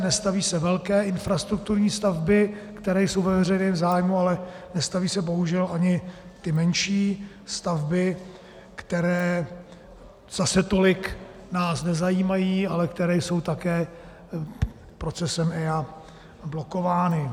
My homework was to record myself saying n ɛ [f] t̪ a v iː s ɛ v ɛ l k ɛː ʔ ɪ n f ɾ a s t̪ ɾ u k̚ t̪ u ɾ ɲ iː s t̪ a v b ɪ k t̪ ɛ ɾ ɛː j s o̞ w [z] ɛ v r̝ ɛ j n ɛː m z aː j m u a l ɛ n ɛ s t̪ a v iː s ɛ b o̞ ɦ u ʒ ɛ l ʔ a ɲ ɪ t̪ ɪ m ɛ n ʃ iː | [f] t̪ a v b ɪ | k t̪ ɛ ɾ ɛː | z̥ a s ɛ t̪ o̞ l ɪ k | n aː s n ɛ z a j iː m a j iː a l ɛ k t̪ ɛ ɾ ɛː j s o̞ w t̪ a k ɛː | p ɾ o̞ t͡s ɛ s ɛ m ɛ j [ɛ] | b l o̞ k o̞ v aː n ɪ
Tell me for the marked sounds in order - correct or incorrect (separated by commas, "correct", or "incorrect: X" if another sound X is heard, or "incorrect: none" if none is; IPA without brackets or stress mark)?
incorrect: s, incorrect: v, incorrect: s, incorrect: a